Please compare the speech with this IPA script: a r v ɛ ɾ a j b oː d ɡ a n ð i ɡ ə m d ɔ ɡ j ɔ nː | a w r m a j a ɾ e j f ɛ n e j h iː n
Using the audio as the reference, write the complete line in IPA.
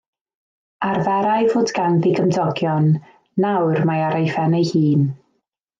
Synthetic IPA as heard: a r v ɛ ɾ a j v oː d ɡ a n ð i ɡ ə m d ɔ ɡ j ɔ nː | a w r m a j a ɾ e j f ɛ n e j h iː n